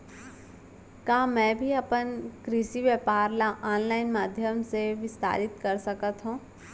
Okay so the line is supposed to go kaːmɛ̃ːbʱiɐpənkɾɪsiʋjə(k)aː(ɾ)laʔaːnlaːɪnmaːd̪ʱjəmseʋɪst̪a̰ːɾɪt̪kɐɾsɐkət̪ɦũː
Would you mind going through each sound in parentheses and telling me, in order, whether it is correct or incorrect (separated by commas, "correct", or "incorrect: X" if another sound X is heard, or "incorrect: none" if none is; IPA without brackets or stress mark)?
incorrect: p, correct